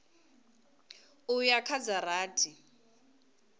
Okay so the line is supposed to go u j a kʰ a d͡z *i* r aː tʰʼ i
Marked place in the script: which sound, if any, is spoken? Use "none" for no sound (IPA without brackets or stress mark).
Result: a